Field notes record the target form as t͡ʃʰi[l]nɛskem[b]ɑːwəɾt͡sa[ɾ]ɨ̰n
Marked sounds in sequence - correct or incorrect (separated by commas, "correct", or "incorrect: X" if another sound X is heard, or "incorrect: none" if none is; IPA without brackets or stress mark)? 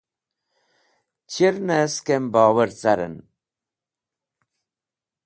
incorrect: ɾ, correct, correct